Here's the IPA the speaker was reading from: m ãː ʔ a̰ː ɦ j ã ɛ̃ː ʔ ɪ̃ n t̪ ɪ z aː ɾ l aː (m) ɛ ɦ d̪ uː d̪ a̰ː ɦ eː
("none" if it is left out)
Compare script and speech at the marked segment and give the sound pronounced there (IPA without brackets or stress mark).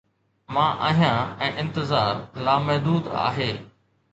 m